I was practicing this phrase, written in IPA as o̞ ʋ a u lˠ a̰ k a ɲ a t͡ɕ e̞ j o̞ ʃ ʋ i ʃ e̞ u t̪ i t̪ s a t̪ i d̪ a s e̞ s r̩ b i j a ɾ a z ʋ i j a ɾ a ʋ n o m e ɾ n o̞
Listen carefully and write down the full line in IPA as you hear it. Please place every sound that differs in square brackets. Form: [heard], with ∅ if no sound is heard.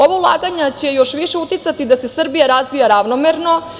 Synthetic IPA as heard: o̞ ʋ a u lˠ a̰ [ɡ] a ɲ a t͡ɕ e̞ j o̞ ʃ ʋ i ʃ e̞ u t̪ i t̪ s a t̪ i d̪ a s e̞ s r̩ b i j a ɾ a z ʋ i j a ɾ a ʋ n o m e ɾ n o̞